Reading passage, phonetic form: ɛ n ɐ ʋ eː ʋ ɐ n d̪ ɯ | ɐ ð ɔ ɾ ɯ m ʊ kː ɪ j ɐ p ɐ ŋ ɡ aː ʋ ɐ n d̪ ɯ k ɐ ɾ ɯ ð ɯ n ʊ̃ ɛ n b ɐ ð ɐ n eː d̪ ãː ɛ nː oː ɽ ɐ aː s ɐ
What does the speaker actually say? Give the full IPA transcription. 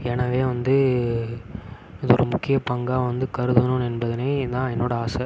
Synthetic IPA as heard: ɛ n ɐ ʋ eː ʋ ɐ n d̪ ɯ | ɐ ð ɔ ɾ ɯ m ʊ kː ɪ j ɐ p ɐ ŋ ɡ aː ʋ ɐ n d̪ ɯ k ɐ ɾ ɯ ð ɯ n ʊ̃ ɛ n b ɐ ð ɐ n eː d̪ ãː ɛ nː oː ɽ ɐ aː s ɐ